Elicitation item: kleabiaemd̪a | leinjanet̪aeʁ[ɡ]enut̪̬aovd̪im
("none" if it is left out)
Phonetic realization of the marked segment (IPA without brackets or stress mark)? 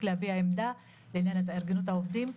ɡ